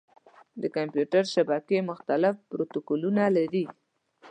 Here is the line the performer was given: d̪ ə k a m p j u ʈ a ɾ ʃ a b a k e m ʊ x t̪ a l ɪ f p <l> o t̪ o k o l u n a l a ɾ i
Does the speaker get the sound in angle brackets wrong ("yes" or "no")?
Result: yes